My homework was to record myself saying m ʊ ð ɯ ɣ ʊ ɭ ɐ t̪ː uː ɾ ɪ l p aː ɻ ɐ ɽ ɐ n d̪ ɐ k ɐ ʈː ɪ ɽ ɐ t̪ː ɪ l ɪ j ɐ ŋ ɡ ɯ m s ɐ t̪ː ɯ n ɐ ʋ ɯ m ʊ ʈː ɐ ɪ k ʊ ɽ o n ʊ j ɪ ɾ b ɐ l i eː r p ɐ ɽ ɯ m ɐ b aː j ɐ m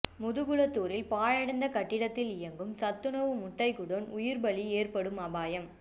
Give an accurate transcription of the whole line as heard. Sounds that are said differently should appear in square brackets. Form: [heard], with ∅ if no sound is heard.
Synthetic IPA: m ʊ ð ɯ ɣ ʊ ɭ ɐ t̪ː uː ɾ ɪ l p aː ɻ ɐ ɽ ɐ n d̪ ɐ k ɐ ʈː ɪ ɽ ɐ t̪ː ɪ l ɪ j ɐ ŋ ɡ ɯ m s ɐ t̪ː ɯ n ɐ ʋ ɯ m ʊ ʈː ɐ ɪ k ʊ ɽ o n ʊ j ɪ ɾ b ɐ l i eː r p ɐ ɽ ɯ m ɐ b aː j ɐ m